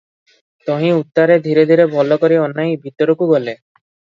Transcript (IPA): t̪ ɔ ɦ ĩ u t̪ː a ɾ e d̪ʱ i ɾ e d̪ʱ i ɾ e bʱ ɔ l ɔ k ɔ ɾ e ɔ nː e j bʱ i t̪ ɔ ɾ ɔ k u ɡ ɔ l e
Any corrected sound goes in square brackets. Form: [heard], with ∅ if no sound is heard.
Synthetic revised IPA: t̪ ɔ ɦ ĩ u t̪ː a ɾ e d̪ʱ i ɾ e d̪ʱ i ɾ e bʱ ɔ l ɔ k ɔ ɾ [i] ɔ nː [a] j bʱ i t̪ ɔ ɾ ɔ k u ɡ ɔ l e